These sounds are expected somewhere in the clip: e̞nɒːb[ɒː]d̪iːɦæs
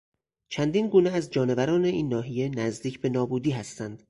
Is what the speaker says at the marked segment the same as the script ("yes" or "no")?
no